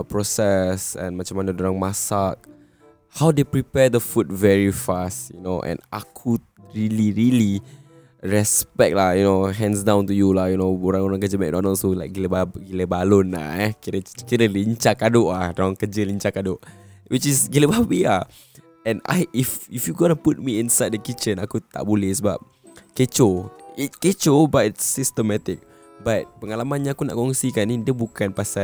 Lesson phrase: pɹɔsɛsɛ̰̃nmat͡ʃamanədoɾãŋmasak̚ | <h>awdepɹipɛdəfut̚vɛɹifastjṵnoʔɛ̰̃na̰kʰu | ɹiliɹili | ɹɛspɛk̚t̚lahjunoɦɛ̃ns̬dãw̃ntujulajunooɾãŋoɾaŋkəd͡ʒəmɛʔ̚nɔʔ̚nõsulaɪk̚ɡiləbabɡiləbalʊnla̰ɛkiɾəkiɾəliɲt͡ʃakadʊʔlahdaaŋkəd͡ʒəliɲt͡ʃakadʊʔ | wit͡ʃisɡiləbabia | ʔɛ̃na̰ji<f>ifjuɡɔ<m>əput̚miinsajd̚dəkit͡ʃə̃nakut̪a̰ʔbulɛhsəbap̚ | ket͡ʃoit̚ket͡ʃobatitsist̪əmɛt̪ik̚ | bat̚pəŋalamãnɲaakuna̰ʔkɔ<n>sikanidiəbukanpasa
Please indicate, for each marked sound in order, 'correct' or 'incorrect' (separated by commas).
correct, correct, incorrect, incorrect